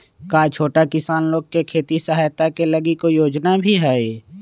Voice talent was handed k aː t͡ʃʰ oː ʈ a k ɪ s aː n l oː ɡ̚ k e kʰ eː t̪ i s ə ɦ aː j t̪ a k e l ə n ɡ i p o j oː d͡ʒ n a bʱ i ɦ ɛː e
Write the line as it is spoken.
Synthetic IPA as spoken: k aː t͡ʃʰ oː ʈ a k ɪ s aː n l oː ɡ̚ k e kʰ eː t̪ i s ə ɦ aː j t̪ a k e l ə ɡ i k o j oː d͡ʒ n a bʱ i ɦ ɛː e